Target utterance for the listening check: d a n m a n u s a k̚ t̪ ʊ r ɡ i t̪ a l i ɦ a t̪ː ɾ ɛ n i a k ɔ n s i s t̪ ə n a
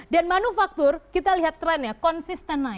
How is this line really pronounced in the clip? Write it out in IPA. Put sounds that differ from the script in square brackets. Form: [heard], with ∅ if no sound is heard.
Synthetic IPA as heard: d a n m a n u [f] a k̚ t̪ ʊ r [k] i t̪ a l i ɦ a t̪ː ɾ ɛ n [j] a k ɔ n s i s t̪ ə n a